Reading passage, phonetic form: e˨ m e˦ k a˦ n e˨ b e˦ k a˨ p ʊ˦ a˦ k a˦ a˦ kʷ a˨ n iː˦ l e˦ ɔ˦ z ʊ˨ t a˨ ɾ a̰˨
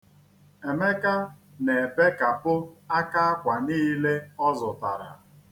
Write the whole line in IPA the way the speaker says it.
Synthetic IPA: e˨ m e˦ k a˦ n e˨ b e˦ k a˨ p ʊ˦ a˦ k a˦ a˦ kʷ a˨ n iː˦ l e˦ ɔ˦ z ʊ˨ t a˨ ɾ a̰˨